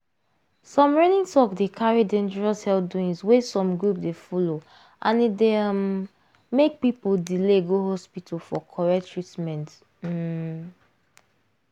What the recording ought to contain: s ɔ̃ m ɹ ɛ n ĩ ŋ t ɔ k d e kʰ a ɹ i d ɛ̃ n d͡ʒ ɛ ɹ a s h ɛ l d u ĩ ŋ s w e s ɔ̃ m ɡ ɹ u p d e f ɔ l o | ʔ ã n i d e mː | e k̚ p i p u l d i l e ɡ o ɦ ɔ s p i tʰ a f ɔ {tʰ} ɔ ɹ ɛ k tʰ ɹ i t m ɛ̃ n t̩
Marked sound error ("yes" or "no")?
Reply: yes